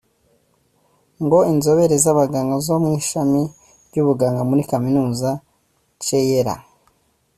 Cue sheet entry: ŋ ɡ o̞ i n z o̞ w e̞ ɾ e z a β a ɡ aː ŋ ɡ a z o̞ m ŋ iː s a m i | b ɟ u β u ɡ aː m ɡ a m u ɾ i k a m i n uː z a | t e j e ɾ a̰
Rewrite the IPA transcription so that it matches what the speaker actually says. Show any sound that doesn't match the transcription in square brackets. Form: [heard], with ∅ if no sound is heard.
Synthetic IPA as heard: ŋ ɡ o̞ i n z o̞ [β] e̞ ɾ e z a β a ɡ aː ŋ ɡ a z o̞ m ŋ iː [ʃ] a m i | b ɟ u β u ɡ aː [ŋ] ɡ a m u ɾ i k a m i n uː z a | [t͡ʃ] e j e ɾ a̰